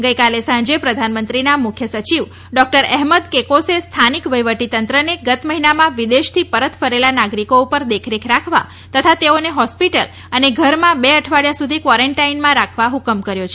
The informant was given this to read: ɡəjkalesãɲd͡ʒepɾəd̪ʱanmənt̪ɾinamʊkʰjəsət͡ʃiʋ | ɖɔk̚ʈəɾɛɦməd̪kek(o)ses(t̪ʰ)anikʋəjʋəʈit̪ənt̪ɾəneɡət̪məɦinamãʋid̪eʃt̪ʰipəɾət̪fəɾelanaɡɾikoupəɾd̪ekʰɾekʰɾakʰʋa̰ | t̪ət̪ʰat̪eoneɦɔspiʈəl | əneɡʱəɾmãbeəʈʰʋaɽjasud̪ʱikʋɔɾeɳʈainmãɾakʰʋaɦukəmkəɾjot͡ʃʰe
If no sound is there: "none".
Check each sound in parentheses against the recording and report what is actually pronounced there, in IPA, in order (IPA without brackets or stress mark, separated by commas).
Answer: o, t̪ʰ